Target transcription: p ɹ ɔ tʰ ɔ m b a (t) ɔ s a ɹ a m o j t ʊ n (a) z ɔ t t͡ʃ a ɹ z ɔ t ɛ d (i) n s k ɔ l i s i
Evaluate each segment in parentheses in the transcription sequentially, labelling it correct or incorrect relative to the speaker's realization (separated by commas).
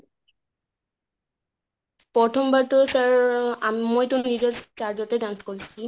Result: correct, incorrect, incorrect